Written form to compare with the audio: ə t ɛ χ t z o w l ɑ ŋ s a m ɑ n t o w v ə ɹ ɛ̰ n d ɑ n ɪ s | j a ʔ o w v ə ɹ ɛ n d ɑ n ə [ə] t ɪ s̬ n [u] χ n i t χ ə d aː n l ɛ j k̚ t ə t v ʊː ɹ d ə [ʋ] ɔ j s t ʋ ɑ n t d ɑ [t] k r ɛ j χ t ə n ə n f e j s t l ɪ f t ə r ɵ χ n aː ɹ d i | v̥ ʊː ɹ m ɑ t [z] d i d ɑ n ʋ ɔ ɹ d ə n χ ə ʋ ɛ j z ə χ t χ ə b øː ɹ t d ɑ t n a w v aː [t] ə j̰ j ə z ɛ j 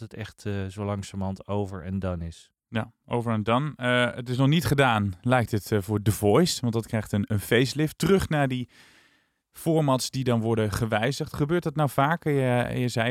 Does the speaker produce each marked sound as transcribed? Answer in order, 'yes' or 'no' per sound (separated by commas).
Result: yes, no, no, yes, no, no